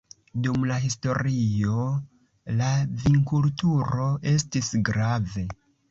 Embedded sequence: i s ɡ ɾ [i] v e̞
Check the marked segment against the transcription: incorrect: a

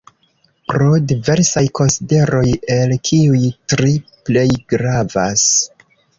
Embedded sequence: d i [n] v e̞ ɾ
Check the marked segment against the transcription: incorrect: none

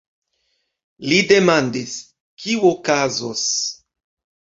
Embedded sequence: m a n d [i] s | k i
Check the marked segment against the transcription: correct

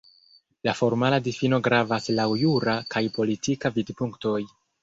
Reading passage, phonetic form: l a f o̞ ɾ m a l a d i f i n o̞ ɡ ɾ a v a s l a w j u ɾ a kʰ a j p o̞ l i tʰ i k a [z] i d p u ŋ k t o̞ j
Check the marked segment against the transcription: incorrect: v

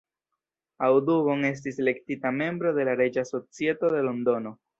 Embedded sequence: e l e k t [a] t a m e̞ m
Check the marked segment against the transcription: incorrect: i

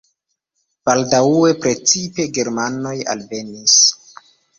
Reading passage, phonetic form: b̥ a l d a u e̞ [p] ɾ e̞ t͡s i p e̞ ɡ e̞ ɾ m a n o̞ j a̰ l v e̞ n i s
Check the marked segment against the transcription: correct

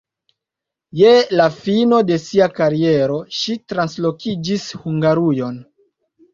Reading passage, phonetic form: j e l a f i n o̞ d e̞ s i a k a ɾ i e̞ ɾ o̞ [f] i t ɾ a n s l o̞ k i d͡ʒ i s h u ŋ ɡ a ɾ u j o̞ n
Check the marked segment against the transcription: incorrect: ʃ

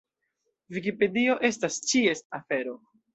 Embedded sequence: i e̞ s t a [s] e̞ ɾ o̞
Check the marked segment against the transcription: incorrect: f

